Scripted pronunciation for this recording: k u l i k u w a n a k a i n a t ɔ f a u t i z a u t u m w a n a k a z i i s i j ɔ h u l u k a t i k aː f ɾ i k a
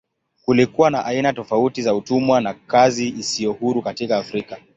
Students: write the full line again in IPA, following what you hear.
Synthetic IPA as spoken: k u l i k u w a n a ʔ a i n a t ɔ f a u t i z a u t u m w a n a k a z i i s i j ɔ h u ɾ u k a t i k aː f ɾ i k a